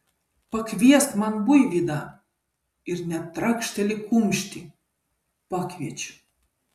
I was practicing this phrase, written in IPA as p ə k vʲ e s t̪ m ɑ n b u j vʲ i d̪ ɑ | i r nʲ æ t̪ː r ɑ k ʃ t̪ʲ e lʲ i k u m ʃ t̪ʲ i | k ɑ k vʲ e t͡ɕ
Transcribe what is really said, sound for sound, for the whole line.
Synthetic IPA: p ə k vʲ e s t̪ m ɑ n b u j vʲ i d̪ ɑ | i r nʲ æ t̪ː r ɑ k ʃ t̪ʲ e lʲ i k u m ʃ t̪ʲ i | p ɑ k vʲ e t͡ɕ